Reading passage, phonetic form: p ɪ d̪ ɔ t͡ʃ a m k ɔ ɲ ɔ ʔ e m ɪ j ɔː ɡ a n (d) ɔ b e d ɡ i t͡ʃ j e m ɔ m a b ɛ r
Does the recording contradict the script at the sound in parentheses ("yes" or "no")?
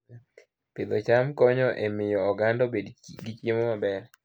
no